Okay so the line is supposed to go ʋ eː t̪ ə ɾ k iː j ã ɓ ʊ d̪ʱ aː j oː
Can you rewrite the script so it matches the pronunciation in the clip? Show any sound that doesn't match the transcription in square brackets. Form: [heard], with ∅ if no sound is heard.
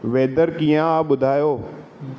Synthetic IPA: ʋ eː [d̪] ə ɾ k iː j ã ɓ ʊ d̪ʱ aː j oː

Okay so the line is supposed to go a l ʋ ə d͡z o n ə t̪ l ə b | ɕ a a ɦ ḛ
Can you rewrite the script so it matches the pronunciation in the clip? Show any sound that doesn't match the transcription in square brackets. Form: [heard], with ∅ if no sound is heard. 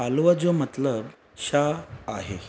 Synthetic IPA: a l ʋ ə d͡z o [m] ə t̪ l ə b | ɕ a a ɦ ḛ

